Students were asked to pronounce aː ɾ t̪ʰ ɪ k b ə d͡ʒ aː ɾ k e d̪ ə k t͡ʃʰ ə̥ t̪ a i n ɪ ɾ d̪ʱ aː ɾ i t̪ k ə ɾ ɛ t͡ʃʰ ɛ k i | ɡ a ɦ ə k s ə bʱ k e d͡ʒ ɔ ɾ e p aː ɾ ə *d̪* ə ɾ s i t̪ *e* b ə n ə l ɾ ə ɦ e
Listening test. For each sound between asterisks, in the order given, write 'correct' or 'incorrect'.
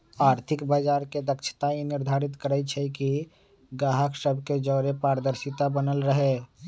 correct, incorrect: a

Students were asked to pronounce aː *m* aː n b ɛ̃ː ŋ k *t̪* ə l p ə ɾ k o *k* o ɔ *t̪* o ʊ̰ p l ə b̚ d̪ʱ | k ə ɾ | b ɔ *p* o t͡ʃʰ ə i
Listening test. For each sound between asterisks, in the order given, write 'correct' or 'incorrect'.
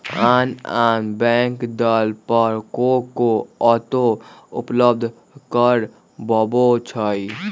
incorrect: n, incorrect: d̪, correct, correct, incorrect: b

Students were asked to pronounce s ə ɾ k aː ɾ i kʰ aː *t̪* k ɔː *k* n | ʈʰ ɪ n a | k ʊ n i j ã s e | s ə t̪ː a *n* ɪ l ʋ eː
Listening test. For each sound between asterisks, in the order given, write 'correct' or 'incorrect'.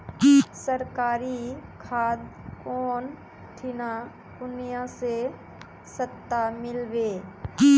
incorrect: d̪, incorrect: none, incorrect: m

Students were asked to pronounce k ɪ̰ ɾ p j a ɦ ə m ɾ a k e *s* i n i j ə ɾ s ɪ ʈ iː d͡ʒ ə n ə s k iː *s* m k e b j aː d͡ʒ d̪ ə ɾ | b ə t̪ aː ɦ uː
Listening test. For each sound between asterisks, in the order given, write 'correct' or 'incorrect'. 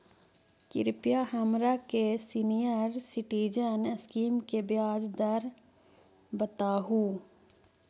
correct, incorrect: none

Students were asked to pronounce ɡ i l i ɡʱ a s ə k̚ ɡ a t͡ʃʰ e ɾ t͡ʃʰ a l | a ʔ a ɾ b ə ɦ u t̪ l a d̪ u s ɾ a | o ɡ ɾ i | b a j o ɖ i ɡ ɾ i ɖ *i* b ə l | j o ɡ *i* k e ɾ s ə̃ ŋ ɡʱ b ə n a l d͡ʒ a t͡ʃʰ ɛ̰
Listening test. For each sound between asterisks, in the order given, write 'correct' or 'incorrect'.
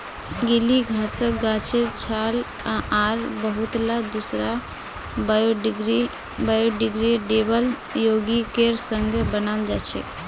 incorrect: e, correct

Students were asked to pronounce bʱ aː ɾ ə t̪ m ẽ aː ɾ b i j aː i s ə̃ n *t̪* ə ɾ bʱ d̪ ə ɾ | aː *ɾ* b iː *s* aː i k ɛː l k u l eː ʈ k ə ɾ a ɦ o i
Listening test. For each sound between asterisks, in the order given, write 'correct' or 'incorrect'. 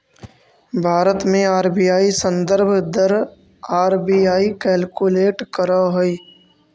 incorrect: d̪, correct, incorrect: none

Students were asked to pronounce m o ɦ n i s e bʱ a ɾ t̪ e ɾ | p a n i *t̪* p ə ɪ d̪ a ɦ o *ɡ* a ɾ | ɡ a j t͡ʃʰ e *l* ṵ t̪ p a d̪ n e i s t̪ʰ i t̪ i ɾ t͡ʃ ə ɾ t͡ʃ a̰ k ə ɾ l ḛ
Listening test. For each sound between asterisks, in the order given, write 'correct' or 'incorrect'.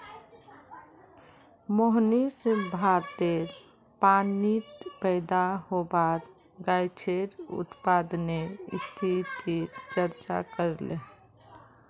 correct, incorrect: b, incorrect: ɾ

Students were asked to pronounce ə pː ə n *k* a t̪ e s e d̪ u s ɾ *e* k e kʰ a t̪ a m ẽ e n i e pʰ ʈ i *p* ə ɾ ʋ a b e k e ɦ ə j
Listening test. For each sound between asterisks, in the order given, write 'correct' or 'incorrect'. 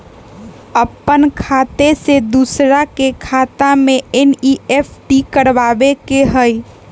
incorrect: kʰ, incorrect: a, incorrect: k

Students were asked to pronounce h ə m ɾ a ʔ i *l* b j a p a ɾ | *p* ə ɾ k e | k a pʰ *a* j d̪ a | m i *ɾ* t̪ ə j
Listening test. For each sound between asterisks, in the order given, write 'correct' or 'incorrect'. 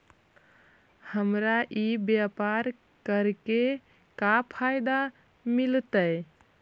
incorrect: none, incorrect: k, correct, incorrect: l

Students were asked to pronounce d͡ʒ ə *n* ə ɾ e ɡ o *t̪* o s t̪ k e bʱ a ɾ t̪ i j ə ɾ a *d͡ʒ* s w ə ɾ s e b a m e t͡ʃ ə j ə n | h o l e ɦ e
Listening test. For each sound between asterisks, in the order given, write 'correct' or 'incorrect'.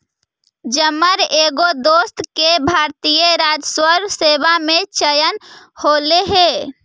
incorrect: m, incorrect: d̪, correct

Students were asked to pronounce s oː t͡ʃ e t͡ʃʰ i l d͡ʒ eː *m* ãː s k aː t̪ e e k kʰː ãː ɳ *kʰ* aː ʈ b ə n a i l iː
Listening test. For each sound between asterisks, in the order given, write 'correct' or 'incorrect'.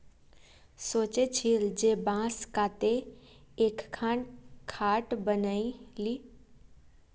incorrect: b, correct

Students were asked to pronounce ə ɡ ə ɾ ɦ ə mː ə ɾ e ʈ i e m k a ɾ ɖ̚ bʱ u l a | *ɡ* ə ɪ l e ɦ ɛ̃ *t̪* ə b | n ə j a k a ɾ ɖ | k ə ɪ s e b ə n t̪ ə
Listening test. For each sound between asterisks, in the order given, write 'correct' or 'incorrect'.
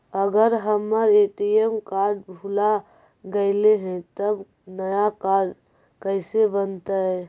correct, correct

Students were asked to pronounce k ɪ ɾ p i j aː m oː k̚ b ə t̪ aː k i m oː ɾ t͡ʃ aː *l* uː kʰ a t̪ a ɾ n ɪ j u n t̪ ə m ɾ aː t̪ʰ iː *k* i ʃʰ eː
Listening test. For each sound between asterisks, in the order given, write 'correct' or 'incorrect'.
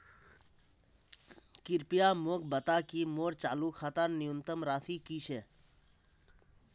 correct, correct

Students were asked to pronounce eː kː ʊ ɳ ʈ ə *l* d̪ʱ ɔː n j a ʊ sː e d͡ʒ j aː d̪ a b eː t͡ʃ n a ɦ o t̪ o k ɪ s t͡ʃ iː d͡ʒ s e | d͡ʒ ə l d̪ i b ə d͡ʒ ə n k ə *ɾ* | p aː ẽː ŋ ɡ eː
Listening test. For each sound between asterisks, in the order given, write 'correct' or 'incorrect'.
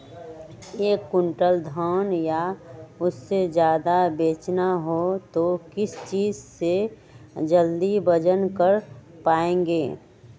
correct, correct

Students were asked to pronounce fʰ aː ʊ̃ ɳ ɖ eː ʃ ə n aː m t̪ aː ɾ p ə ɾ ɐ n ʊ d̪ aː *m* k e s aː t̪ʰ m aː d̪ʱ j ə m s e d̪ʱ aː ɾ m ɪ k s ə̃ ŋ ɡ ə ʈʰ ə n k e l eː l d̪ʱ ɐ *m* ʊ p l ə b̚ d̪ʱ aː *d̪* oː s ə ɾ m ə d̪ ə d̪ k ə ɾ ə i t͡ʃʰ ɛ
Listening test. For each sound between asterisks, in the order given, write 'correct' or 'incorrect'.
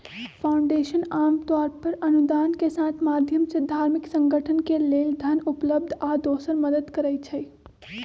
incorrect: n, incorrect: n, correct

